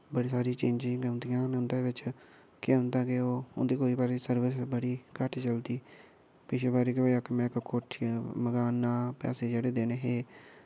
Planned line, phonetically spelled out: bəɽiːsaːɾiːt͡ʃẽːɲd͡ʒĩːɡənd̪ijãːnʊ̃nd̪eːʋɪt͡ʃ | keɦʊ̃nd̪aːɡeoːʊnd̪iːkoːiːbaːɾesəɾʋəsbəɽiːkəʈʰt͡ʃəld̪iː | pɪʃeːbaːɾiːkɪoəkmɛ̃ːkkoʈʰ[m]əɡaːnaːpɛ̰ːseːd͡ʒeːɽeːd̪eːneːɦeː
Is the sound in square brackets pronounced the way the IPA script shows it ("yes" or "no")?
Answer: yes